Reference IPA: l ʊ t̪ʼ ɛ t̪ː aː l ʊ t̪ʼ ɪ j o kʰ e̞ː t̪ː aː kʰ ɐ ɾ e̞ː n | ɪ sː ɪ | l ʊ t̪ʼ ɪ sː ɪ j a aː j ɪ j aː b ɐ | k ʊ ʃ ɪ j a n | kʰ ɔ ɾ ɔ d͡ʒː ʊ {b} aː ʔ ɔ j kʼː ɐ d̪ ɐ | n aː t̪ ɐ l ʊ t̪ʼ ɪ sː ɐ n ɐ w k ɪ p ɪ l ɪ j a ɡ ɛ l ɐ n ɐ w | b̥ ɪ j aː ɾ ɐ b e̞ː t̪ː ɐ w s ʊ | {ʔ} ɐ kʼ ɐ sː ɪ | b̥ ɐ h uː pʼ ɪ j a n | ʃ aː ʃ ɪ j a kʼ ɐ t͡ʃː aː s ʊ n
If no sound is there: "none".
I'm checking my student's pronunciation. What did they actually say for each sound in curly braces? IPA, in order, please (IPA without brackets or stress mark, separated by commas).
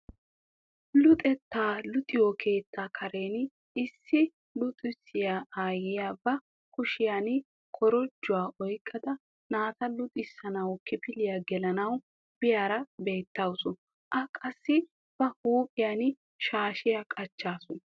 w, ʔ